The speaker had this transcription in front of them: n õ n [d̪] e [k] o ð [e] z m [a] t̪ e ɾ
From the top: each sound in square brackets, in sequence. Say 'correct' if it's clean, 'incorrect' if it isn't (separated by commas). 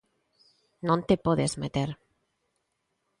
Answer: incorrect, incorrect, correct, incorrect